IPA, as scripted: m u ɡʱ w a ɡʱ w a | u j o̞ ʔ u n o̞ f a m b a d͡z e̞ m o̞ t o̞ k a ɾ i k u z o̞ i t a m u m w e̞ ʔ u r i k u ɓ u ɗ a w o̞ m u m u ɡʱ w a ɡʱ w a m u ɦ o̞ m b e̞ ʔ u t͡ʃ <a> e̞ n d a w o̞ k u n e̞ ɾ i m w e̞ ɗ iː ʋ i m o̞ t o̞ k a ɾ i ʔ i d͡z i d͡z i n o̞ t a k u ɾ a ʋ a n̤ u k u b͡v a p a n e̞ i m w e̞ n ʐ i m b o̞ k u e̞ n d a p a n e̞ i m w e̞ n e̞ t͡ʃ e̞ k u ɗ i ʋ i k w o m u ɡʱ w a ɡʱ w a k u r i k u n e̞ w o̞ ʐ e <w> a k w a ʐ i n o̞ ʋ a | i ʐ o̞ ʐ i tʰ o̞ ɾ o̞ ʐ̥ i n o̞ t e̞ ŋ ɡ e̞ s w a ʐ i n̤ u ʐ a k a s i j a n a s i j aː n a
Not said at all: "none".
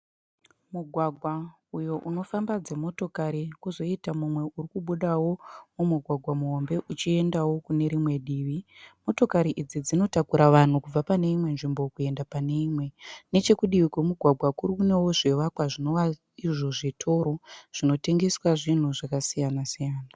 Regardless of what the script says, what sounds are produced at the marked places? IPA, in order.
i, ʋ

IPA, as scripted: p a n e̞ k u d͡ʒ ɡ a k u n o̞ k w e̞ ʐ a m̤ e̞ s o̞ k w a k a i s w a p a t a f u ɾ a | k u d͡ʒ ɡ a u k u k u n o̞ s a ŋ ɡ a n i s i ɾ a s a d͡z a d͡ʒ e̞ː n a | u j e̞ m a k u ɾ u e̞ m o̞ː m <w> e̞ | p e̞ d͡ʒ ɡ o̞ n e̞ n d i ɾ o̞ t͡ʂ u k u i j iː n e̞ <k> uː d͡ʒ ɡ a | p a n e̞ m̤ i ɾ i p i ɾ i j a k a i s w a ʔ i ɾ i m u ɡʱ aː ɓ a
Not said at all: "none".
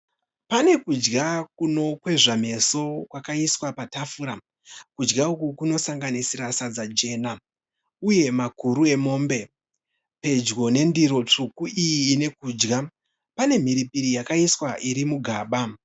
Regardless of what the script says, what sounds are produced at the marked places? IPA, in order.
b, k

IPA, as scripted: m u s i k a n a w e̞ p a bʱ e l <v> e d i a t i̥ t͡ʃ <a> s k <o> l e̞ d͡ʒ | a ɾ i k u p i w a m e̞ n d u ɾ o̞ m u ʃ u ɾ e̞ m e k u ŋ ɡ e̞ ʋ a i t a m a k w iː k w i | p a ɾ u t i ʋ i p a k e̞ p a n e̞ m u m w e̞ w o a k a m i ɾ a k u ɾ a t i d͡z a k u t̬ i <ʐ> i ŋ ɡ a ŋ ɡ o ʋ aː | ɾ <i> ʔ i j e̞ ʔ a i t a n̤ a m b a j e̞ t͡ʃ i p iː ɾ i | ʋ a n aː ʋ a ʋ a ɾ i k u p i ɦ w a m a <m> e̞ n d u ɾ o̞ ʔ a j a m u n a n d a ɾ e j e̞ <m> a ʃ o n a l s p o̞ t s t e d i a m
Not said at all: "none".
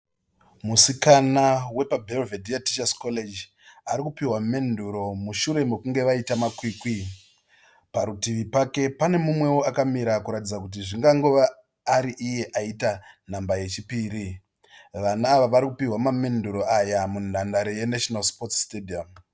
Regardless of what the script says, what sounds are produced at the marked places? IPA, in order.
v, a, o, ʐ, i, m, n

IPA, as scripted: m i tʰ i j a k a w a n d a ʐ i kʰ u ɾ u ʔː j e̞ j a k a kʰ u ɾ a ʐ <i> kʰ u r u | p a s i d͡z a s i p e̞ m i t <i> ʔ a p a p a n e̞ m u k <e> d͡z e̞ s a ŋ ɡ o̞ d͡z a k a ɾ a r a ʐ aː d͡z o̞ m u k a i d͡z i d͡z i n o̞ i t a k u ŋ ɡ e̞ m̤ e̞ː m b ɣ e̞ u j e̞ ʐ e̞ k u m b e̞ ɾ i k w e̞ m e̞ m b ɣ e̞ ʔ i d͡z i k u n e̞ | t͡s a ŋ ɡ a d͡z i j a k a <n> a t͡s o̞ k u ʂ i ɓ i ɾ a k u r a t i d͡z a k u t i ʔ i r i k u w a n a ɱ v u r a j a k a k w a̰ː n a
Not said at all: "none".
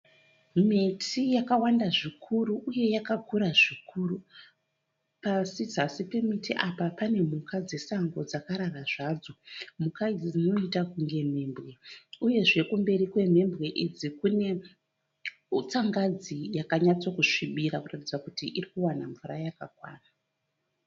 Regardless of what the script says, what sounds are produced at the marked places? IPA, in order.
i, i, a, ɲ

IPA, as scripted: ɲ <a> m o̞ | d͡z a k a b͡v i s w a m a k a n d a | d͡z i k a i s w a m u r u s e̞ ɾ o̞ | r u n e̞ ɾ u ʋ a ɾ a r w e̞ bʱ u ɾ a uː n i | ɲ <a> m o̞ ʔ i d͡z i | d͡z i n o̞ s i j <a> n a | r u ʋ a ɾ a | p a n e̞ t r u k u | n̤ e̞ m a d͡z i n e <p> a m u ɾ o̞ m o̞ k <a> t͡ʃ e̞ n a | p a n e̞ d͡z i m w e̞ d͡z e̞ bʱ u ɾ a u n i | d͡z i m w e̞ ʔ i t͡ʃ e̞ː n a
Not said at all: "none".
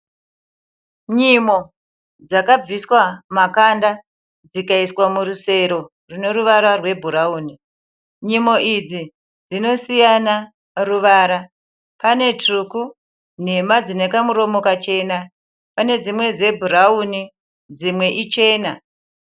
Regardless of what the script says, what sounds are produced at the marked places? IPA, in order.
i, i, a, k, a

